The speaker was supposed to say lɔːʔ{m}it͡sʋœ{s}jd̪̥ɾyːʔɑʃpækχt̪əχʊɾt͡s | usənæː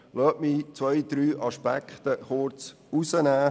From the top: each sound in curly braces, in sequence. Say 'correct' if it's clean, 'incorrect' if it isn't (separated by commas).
correct, incorrect